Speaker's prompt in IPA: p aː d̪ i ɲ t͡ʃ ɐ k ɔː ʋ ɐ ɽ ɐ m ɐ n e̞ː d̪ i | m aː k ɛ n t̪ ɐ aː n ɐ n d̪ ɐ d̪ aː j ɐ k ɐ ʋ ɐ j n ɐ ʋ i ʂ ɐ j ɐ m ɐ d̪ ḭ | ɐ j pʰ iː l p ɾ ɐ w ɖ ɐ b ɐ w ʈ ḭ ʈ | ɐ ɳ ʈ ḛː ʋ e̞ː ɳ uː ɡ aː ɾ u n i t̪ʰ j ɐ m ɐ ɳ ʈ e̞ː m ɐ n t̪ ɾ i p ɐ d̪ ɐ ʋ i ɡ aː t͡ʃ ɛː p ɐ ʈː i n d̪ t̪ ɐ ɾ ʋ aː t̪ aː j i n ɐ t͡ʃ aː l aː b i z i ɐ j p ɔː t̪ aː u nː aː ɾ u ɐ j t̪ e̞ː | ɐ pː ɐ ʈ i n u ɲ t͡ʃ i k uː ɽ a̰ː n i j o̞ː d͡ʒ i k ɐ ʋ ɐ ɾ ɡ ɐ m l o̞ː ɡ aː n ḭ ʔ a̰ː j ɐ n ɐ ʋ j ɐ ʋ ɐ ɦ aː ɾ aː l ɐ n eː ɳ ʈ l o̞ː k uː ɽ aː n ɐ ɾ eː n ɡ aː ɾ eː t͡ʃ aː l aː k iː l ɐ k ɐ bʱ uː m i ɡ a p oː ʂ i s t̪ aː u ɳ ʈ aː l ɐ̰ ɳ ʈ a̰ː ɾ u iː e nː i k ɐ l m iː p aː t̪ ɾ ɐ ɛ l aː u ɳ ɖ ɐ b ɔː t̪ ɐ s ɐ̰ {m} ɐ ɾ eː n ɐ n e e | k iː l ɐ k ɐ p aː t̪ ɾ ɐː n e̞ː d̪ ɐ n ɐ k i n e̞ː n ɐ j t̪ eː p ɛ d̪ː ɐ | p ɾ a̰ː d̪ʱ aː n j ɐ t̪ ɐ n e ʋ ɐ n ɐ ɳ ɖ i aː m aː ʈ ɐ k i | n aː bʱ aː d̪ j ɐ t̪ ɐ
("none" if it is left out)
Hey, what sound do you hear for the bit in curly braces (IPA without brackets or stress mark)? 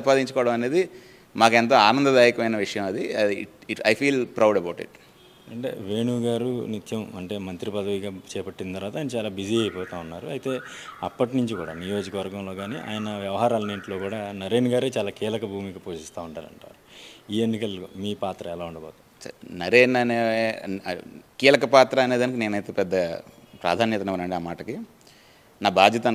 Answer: n